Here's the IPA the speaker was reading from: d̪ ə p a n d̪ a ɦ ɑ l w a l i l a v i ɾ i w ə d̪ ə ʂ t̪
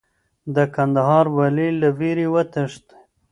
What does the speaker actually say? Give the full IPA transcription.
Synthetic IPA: d̪ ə k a n d̪ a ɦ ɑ ɾ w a l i l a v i ɾ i w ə t̪ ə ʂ t̪

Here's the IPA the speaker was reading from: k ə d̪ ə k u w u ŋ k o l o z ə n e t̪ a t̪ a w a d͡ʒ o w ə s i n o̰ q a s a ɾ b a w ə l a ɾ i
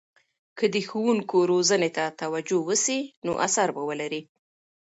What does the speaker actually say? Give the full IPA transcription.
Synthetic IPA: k ə d̪ ə x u w u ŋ k o ɾ o z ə n e t̪ a t̪ a w a d͡ʒ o w ə s i n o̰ ʔ a s a ɾ b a w ə l a ɾ i

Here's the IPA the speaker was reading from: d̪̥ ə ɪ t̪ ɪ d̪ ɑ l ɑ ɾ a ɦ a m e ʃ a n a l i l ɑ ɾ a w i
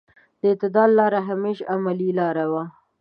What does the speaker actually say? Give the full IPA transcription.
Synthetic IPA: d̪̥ ə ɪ t̪ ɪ d̪ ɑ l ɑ ɾ a ɦ a m e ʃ a m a l i l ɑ ɾ a w a

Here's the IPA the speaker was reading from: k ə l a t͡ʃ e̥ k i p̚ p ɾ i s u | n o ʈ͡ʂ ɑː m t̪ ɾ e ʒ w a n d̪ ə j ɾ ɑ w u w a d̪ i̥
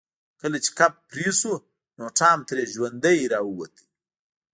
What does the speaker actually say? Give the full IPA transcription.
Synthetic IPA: k ə l a t͡ʃ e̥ k a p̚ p ɾ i s u | n o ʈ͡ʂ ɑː m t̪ ɾ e ʒ w a n d̪ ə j ɾ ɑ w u w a t̪ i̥

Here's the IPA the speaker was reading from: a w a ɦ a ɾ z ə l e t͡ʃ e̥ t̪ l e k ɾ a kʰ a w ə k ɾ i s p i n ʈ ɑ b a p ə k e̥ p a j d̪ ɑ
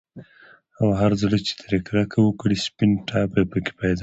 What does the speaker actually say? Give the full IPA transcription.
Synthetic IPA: a w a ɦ a ɾ z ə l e t͡ʃ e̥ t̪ ɾ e k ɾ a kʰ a w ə k ɽ i s p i n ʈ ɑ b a p ə k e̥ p a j d̪ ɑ

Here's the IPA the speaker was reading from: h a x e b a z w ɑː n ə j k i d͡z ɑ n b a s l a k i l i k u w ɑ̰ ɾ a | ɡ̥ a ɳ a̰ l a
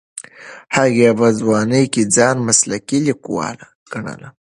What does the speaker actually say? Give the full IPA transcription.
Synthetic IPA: h a ɣ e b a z w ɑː n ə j k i d͡z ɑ n m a s l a k i l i k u w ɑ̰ l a | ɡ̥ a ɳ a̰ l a

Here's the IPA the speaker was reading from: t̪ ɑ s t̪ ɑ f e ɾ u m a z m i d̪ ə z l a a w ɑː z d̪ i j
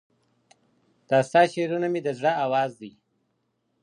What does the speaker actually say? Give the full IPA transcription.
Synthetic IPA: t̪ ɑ s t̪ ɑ ʃ e ɾ u n a m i d̪ ə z ɽ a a w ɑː z d̪ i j

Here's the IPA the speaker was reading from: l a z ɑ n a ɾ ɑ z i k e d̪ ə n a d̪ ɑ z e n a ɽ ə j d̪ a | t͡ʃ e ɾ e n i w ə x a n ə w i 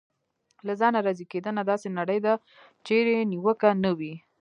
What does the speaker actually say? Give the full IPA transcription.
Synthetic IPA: l a z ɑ n a ɾ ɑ z i k e d̪ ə n a d̪ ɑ s e n a ɽ ə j d̪ a | t͡ʃ e ɾ e n i w ə k a n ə w i

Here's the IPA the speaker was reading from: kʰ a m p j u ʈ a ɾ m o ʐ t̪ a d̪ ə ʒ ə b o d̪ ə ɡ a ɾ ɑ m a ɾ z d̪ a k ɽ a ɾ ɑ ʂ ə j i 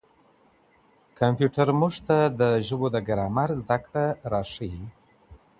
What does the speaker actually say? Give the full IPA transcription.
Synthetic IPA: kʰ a m p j u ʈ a ɾ m u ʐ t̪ a d̪ ə ʒ ə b o d̪ ə ɡ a ɾ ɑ m a ɾ z d̪ a k ɽ a ɾ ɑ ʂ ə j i

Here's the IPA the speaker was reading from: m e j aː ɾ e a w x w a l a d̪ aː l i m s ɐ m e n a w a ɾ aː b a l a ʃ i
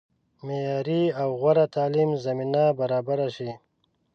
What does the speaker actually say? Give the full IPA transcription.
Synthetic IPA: m e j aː ɾ i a w ɣ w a ɾ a t̪ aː l i m z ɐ m i n a b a ɾ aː b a ɾ a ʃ i

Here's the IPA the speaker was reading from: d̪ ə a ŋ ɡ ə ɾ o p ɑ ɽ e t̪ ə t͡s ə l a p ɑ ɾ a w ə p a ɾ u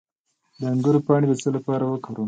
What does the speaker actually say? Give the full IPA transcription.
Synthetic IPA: d̪ ə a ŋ ɡ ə ɾ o p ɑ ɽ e d̪ ə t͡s ə l a p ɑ ɾ a w ə k a ɾ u

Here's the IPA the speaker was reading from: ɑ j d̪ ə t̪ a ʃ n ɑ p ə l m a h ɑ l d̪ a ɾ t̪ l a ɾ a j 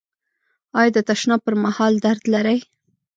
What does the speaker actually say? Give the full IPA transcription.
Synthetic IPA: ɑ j d̪ ə t̪ a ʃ n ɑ p ə ɾ m a h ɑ l d̪ a ɾ d̪ l a ɾ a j

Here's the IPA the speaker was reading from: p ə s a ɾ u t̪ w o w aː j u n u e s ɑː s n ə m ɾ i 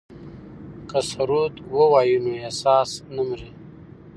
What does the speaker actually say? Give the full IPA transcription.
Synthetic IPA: k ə s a ɾ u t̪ w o w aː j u n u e s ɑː s n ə m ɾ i

